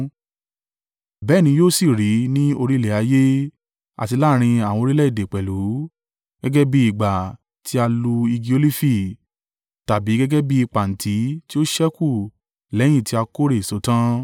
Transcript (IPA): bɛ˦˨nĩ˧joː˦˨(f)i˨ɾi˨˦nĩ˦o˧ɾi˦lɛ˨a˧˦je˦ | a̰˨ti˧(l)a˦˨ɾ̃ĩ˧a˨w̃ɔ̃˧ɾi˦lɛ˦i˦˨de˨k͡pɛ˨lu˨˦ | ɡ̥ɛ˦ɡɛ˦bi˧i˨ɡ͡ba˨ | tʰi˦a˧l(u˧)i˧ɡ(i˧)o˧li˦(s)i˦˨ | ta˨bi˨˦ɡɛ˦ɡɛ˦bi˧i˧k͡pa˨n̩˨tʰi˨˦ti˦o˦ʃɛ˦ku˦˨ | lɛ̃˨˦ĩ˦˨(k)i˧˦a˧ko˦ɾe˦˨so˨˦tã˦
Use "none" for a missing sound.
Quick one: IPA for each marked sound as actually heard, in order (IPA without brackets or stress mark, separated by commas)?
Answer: s, l, u˧, i˧, f, t